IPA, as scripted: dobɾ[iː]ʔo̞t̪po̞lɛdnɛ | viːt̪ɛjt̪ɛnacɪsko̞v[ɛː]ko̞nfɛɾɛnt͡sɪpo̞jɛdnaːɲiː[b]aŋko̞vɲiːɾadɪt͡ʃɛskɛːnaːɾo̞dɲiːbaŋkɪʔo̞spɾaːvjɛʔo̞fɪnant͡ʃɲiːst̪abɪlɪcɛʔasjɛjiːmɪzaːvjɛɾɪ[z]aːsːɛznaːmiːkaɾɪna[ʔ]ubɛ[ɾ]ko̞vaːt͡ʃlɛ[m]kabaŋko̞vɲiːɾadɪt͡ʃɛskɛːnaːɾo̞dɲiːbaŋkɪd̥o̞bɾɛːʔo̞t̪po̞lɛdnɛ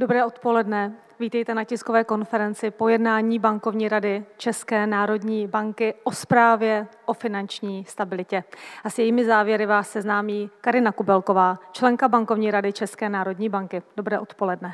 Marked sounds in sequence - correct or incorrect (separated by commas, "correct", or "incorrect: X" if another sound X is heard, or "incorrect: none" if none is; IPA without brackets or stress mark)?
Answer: incorrect: ɛː, correct, correct, incorrect: v, incorrect: k, incorrect: l, incorrect: ŋ